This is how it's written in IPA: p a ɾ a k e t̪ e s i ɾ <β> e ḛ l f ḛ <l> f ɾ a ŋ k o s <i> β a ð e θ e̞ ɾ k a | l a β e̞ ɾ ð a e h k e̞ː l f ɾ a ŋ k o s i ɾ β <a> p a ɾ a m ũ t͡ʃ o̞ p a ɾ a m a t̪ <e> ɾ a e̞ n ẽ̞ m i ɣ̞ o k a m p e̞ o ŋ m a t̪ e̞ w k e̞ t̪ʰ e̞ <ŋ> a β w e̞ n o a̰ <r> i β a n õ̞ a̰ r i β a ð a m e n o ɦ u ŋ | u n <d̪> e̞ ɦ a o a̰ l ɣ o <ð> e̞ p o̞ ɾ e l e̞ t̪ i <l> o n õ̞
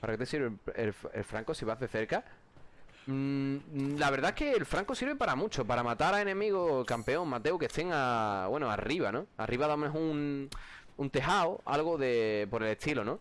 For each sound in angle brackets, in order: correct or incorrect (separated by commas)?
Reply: correct, correct, correct, incorrect, incorrect, correct, correct, incorrect, correct, correct